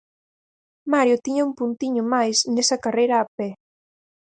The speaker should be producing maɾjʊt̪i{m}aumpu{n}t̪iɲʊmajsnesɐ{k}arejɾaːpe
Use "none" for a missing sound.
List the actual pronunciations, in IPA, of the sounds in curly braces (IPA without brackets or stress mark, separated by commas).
ɲ, n, k